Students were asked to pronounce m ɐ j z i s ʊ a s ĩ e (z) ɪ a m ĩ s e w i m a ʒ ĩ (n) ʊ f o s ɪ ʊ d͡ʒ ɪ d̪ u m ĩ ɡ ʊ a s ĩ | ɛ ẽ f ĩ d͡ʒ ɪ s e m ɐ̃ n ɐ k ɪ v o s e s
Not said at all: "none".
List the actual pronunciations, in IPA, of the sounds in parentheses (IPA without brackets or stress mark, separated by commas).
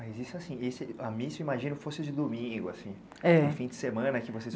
s, n